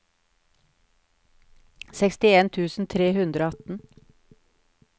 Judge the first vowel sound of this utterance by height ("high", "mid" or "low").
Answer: mid